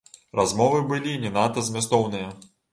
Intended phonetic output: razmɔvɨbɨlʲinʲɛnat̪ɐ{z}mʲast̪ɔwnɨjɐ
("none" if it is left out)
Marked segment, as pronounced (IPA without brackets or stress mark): z